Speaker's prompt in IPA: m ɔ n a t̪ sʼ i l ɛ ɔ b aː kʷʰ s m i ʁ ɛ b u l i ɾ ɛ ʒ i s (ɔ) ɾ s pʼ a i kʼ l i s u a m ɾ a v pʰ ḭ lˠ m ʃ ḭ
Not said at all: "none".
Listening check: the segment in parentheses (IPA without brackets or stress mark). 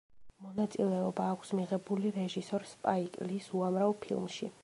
ɔ